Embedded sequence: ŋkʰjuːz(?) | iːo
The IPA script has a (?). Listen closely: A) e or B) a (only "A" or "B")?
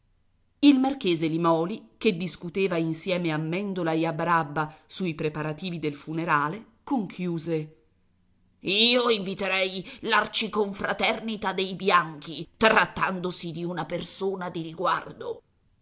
A